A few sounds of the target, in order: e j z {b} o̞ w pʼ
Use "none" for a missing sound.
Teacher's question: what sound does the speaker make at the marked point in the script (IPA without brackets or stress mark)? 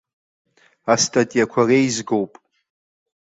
ɡ